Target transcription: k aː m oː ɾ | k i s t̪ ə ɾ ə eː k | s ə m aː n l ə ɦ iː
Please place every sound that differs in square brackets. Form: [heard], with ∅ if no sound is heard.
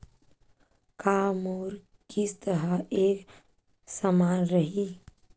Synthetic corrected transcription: k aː m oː ɾ | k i s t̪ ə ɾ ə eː k | s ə m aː n [ɾ] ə ɦ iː